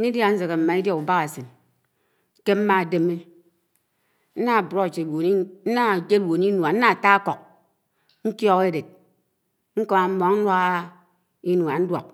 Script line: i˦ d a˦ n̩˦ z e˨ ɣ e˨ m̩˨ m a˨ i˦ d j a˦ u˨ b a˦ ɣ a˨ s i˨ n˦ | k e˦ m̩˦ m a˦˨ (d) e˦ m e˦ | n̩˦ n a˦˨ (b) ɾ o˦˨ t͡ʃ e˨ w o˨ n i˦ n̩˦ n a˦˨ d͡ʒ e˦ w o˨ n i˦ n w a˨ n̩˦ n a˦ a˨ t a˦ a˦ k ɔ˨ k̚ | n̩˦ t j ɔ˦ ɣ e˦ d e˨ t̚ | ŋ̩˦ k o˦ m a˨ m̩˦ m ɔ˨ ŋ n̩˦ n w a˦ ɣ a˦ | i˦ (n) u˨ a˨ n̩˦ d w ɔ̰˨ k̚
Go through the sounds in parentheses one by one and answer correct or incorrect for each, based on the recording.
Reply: correct, correct, correct

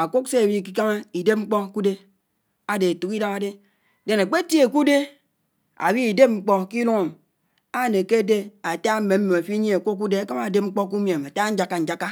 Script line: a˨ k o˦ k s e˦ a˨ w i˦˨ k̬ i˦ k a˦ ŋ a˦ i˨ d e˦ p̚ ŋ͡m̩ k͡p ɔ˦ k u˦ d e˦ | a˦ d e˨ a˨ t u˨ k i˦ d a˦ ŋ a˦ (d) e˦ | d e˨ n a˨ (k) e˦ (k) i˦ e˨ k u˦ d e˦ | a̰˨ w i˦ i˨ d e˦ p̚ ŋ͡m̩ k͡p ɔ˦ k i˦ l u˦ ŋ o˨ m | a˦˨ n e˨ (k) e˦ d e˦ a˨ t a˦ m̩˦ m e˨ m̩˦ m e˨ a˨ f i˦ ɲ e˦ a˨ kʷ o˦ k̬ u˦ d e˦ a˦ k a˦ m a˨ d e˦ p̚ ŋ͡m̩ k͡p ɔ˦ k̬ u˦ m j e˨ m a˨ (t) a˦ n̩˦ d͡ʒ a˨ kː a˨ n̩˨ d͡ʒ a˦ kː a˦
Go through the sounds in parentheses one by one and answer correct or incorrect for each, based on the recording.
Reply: correct, incorrect, incorrect, correct, correct

